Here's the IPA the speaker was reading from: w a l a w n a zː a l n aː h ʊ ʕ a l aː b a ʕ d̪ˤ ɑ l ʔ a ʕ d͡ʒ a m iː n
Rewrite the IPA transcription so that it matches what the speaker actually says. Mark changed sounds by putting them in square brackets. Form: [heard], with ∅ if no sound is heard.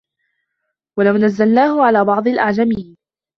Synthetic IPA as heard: w a l a w n a zː a l n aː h ʊ ʕ a l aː b [ɑ] ʕ d̪ˤ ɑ l ʔ a ʕ d͡ʒ a m iː n